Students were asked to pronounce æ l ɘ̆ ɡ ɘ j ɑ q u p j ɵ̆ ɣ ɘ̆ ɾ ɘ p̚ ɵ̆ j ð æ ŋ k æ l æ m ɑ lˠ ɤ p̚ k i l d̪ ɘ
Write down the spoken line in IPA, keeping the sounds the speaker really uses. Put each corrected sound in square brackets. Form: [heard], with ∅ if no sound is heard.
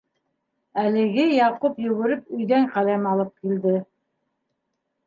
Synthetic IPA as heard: æ l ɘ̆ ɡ ɘ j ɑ q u p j ɵ̆ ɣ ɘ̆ ɾ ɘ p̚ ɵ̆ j ð æ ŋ [q] æ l æ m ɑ lˠ ɤ p̚ k i l d̪ ɘ